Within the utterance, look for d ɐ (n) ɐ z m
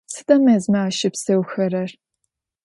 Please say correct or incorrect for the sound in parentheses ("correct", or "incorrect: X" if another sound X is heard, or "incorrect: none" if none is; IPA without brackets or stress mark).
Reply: incorrect: m